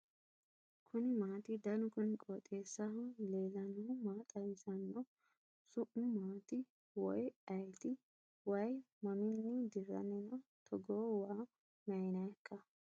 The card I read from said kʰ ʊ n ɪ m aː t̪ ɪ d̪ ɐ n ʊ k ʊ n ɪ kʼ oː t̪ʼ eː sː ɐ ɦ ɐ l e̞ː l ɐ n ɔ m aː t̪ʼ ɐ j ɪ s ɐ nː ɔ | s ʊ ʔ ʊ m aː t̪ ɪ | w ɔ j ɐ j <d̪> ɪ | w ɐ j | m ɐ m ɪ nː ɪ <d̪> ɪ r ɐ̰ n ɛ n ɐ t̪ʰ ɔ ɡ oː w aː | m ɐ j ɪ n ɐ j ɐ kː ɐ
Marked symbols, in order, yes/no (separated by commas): no, yes